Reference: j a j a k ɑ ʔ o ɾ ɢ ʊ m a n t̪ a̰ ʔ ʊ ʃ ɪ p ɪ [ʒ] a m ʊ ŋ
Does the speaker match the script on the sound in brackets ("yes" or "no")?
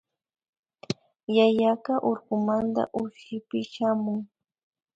no